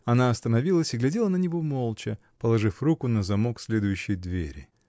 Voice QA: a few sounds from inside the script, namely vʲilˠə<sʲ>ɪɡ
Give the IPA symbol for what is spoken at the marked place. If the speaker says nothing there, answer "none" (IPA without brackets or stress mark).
sʲ